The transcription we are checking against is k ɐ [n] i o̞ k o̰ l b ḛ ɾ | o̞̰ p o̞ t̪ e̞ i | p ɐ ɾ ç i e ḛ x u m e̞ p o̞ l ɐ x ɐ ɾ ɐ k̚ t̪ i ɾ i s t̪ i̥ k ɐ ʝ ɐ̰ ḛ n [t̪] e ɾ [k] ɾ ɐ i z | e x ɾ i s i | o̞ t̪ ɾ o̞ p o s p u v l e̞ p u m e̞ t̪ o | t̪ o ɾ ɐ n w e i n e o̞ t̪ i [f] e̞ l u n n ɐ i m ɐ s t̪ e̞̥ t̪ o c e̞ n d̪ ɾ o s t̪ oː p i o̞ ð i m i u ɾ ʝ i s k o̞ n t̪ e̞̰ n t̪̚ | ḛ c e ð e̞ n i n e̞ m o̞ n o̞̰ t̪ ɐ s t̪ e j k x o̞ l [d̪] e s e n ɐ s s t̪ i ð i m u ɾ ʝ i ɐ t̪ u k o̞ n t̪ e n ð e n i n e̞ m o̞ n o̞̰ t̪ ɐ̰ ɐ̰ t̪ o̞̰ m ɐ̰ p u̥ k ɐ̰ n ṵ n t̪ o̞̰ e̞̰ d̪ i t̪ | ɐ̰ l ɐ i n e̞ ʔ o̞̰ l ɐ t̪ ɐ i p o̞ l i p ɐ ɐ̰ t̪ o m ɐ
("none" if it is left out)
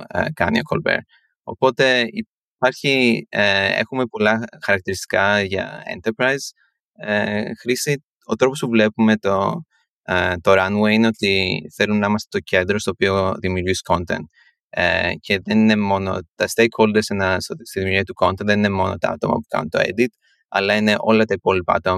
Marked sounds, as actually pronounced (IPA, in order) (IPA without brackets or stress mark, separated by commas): n, t̪, p, θ, d̪